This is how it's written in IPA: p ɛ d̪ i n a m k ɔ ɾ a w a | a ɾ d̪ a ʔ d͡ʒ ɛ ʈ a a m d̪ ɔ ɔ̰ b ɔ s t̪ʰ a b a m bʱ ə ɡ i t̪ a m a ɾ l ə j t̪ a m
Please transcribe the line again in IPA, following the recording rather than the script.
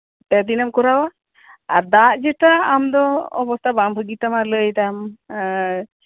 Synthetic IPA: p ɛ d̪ i n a m k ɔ ɾ a w a | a ɾ d̪ a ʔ d͡ʒ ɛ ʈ a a m d̪ ɔ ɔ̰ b ɔ s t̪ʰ a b a m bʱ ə ɡ i t̪ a m a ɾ l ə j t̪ a m